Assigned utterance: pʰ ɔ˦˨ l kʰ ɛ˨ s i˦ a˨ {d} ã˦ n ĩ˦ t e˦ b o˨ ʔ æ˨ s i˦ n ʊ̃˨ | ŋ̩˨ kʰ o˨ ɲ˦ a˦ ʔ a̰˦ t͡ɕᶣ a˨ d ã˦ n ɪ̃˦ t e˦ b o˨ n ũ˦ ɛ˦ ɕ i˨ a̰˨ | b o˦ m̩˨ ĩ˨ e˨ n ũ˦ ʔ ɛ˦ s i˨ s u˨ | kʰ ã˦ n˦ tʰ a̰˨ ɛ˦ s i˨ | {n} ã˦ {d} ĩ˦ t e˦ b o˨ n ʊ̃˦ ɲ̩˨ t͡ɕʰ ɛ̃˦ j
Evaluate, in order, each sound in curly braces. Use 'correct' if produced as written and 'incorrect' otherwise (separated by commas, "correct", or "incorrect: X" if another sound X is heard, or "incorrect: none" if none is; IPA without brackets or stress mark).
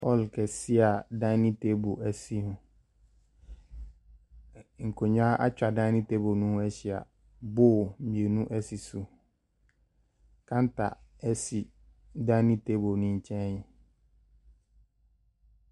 correct, incorrect: d, incorrect: n